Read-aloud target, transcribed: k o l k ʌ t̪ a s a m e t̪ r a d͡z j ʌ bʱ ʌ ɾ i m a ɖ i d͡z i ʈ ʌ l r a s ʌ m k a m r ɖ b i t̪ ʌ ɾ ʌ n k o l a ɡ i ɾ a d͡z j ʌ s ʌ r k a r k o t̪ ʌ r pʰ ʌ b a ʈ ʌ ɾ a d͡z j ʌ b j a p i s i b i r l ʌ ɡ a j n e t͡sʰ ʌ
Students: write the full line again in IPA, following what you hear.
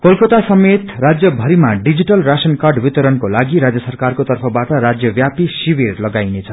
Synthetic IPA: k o l k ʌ t̪ a s ʌ m e t̪ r a d͡z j ʌ bʱ ʌ ɾ i m a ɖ i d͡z i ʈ ʌ l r a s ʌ n k a r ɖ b i t̪ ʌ ɾ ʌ n k o l a ɡ i ɾ a d͡z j ʌ s ʌ r k a r k o t̪ ʌ r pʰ ʌ b a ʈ ʌ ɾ a d͡z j ʌ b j a p i s i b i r l ʌ ɡ a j n e t͡sʰ ʌ

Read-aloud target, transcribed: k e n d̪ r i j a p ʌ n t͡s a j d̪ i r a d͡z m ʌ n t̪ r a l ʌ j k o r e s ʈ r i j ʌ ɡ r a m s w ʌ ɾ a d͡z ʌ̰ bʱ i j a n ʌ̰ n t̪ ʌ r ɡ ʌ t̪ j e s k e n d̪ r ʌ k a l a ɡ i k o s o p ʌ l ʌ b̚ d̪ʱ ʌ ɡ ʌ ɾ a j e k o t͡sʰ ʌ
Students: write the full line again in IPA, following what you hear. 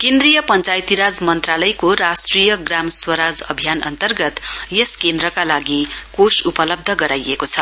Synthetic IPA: k e n d̪ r i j ʌ p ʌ n t͡s a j t̪ i ɾ a d͡z m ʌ n t̪ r a l ʌ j k o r a s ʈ r i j ʌ ɡ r a m s w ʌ ɾ a d͡z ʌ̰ bʱ i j a n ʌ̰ n t̪ ʌ r ɡ ʌ t̪ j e s k e n d̪ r ʌ k a l a ɡ i k o s u p ʌ l ʌ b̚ d̪ʱ ʌ ɡ ʌ ɾ a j e k o t͡sʰ ʌ

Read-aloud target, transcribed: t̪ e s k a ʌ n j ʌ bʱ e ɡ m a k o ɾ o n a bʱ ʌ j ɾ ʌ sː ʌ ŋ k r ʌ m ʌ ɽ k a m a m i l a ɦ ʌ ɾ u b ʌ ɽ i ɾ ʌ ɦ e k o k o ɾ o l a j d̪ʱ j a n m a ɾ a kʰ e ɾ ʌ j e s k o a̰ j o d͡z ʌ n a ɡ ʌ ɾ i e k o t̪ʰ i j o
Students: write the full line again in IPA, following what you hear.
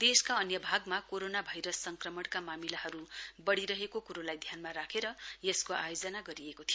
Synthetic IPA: d̪ e s k a ʌ n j ʌ bʱ a ɡ m a k o ɾ o n a bʱ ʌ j ɾ ʌ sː ʌ ŋ k r ʌ m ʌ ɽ k a m a m i l a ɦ ʌ ɾ u b ʌ ɽ i ɾ ʌ ɦ e k o k u ɾ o l a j d̪ʱ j a n m a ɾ a kʰ e ɾ ʌ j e s k o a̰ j o d͡z ʌ n a ɡ ʌ ɾ i e k o t̪ʰ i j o

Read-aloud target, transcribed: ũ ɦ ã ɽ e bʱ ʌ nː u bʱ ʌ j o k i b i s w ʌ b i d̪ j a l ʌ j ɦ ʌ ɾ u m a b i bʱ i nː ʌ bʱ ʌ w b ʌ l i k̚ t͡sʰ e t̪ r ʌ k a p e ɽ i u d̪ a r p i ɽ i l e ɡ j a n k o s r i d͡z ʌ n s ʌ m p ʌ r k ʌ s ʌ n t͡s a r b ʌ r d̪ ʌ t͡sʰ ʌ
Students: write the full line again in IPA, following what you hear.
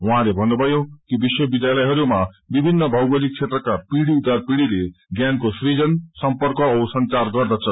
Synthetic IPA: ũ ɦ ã l e bʱ ʌ nː u bʱ ʌ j o k i b i s w ʌ b i d̪ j a l ʌ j ɦ ʌ ɾ u m a b i bʱ i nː ʌ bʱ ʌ w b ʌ l i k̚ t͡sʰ e t̪ r ʌ k a p i ɽ i u d̪ a r p i ɽ i l e ɡ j a n k o s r i d͡z ʌ n s ʌ m p ʌ r k ʌ s ʌ n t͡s a r ɡ ʌ r d̪ ʌ t͡sʰ ʌ

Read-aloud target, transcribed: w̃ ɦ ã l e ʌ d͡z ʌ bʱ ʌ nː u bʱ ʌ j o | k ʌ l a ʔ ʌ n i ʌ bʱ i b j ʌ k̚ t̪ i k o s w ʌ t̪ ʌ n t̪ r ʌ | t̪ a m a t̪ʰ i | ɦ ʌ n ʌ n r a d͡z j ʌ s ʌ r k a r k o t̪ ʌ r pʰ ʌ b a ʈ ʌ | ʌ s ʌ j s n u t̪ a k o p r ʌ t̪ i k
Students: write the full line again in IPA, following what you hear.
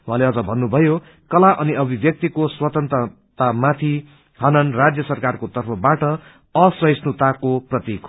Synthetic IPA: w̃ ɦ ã l e ʌ d͡z ʌ bʱ ʌ nː u bʱ ʌ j o | k ʌ l a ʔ ʌ n i ʌ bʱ i b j ʌ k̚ t̪ i k o s w ʌ t̪ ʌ n t̪ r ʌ | t̪ a m a t̪ʰ i | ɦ ʌ n ʌ n r a d͡z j ʌ s ʌ r k a r k o t̪ ʌ r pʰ ʌ b a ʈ ʌ | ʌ s ʌ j s n u t̪ a k o p r ʌ t̪ i k

